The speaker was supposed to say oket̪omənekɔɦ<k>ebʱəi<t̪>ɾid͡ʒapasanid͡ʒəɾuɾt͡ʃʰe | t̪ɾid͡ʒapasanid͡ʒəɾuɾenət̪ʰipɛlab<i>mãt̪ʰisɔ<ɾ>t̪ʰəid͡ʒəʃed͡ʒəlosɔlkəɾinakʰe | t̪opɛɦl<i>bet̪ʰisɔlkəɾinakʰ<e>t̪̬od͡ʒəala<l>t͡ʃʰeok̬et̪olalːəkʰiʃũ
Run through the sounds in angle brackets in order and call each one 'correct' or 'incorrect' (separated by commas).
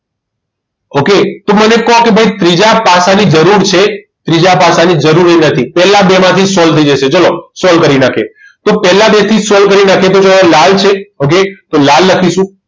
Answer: correct, correct, incorrect, incorrect, incorrect, correct, correct